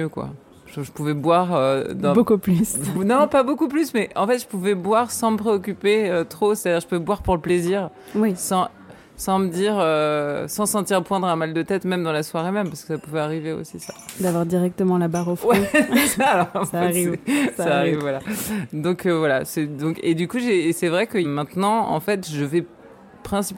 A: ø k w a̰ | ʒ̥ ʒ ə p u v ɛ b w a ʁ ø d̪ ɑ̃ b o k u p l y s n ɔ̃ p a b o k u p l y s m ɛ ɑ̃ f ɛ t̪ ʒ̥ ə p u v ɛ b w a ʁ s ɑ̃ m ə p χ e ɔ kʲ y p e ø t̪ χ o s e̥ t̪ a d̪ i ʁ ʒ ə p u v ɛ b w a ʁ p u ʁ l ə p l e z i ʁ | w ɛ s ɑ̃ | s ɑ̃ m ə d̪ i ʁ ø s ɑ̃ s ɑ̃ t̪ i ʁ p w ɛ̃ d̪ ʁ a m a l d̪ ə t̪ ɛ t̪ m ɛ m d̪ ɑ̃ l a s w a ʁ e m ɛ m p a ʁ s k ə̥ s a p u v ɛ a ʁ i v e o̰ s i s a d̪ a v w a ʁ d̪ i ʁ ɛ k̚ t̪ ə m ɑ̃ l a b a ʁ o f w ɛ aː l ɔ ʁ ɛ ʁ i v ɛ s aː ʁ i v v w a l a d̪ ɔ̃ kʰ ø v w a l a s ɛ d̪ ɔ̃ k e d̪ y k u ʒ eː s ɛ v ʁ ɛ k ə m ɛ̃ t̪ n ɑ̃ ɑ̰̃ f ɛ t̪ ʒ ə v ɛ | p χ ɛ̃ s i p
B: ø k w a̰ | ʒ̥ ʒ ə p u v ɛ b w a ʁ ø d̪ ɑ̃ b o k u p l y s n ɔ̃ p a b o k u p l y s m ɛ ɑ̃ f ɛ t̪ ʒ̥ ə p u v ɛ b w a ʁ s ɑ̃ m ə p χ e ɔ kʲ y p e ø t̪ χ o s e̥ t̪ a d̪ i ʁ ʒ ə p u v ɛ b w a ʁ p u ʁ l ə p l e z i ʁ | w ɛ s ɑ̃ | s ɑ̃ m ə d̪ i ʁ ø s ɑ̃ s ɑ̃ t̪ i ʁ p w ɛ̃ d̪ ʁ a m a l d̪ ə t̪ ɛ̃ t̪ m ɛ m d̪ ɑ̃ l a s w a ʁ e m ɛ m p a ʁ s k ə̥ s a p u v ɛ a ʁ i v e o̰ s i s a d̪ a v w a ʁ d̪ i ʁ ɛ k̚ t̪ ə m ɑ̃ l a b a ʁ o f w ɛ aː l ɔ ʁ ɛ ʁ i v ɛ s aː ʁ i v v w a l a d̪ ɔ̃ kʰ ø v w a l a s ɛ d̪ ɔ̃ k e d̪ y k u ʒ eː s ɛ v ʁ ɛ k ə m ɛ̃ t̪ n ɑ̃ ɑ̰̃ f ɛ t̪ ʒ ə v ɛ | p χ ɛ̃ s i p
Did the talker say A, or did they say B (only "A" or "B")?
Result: A